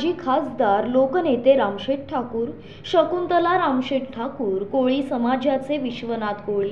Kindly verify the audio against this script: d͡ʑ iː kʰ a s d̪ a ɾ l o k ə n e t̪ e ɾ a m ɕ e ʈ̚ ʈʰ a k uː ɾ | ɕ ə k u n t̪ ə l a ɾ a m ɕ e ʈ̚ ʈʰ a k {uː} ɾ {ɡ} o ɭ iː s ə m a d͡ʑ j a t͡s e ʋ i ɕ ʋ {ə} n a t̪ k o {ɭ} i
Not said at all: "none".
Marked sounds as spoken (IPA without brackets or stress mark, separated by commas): uː, k, ə, ɭ